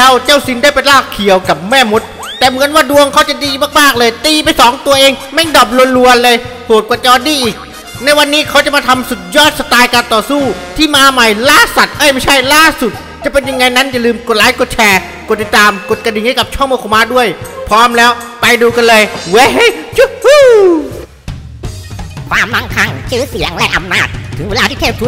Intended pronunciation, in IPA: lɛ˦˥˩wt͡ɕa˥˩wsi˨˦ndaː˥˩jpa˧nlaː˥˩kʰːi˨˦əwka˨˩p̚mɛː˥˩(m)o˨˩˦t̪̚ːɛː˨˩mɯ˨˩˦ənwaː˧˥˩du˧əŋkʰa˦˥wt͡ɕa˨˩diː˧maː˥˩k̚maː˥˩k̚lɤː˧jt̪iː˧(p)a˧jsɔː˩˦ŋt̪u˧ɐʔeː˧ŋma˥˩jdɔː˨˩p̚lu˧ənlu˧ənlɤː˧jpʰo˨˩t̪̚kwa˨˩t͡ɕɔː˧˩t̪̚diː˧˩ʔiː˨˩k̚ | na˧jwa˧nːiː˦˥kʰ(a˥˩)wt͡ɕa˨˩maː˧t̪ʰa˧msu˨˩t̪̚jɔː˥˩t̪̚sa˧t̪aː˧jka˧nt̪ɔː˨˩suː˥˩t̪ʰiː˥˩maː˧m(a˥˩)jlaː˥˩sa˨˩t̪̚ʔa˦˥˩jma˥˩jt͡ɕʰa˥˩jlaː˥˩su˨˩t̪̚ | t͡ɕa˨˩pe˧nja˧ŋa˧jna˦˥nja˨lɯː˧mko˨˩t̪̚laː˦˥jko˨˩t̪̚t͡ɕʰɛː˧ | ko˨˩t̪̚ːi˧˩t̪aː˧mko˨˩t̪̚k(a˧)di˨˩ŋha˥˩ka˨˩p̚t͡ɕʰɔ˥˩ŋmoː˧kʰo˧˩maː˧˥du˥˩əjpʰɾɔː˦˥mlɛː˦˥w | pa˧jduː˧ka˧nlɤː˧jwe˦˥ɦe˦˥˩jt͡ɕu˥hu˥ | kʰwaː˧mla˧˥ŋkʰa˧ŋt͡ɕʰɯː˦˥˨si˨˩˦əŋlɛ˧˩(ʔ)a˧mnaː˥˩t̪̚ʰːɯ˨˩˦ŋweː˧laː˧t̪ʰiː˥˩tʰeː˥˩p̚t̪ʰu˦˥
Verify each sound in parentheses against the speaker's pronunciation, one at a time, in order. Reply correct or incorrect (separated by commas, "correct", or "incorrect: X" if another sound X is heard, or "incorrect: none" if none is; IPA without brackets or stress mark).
correct, correct, incorrect: a˦˥, incorrect: a˨˩, correct, correct